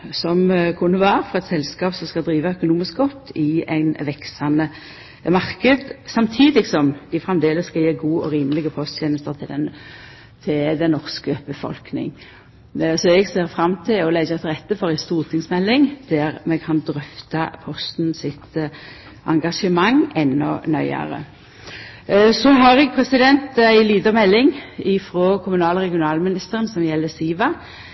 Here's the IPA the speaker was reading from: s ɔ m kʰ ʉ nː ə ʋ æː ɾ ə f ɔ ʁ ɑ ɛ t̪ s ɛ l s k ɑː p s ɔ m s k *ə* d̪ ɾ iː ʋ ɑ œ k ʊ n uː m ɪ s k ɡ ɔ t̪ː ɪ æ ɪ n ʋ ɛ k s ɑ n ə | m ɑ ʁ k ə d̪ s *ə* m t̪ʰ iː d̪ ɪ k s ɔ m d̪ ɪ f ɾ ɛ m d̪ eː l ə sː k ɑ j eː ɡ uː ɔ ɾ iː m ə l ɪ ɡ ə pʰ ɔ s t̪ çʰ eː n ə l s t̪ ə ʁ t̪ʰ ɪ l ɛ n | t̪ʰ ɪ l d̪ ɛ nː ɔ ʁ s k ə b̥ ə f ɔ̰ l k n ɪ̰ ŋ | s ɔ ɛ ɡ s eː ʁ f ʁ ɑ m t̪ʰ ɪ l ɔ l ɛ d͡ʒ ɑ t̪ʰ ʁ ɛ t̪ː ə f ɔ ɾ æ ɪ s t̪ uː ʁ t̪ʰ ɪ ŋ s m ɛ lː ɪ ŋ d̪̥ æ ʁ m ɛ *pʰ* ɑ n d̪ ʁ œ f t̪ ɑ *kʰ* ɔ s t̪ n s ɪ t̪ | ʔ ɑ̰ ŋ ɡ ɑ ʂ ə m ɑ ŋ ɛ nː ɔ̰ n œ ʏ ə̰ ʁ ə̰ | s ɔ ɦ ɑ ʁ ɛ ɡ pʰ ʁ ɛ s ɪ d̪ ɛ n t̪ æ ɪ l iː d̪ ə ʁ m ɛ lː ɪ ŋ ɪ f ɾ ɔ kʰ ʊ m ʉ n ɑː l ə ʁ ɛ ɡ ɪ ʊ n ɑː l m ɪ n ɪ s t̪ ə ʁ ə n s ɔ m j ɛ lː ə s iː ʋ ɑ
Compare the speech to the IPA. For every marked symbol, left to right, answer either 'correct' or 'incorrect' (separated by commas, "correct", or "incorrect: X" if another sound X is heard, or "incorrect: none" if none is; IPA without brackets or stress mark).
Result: incorrect: ɑ, incorrect: ɑ, incorrect: kʰ, incorrect: pʰ